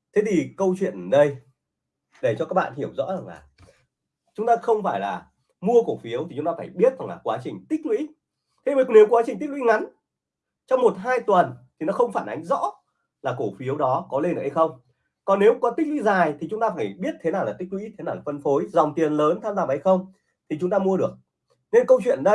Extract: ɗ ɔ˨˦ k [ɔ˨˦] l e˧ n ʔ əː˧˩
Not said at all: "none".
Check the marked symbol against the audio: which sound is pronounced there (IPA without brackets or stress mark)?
ɔ˨˦